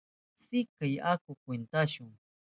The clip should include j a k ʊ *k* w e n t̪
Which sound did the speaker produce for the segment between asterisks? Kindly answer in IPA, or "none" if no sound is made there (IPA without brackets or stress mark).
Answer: k